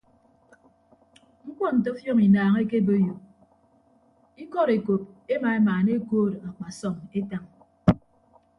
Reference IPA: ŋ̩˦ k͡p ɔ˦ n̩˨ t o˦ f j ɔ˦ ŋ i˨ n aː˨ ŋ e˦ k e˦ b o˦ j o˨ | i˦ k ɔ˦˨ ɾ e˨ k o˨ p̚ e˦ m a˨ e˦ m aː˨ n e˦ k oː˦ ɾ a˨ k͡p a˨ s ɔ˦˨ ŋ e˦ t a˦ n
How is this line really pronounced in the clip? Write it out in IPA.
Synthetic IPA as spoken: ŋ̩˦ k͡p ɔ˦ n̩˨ t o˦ f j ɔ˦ ŋ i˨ n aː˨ ŋ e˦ k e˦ b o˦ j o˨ | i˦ k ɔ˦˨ ɾ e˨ k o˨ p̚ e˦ m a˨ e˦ m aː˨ n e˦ k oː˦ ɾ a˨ k͡p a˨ s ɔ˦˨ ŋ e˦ t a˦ ŋ